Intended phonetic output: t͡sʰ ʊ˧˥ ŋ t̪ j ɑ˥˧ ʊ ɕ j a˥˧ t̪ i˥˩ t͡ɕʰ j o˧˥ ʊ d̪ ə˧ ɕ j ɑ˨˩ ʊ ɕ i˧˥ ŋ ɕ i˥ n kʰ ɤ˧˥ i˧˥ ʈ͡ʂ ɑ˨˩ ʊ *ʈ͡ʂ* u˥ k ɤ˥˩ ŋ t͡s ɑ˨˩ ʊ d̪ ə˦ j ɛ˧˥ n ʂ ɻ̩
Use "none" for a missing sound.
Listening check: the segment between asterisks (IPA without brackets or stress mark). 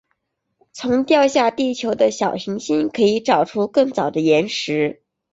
ʈ͡ʂʰ